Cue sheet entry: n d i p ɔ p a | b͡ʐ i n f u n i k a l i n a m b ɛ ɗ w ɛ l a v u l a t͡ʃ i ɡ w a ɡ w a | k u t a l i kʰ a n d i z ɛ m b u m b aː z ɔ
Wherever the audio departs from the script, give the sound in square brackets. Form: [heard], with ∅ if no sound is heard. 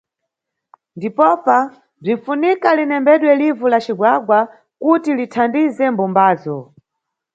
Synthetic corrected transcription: n d i p ɔ p a | b͡ʐ i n f u n i k a l i n [ɛ] m b ɛ ɗ w ɛ l [i] v u l a t͡ʃ i ɡ w a ɡ w a | k u t [i] l i [tʰ] a n d i z ɛ m b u m b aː z ɔ